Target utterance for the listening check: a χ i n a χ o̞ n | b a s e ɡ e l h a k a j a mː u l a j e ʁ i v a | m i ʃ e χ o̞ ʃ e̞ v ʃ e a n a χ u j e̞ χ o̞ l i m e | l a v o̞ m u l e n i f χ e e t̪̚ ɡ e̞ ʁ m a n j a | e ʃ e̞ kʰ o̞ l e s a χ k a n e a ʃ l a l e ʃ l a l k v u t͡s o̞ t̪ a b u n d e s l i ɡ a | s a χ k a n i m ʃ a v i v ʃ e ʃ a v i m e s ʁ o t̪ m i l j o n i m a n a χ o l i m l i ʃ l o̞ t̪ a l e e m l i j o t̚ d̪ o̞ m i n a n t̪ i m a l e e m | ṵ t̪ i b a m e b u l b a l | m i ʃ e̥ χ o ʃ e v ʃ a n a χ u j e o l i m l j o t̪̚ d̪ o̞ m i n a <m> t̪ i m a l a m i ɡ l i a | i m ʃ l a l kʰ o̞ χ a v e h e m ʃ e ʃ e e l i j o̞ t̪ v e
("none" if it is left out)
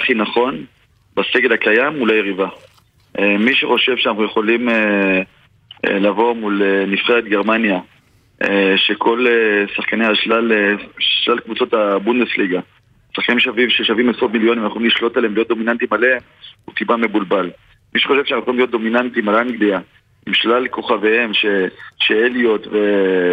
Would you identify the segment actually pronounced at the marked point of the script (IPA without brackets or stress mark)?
n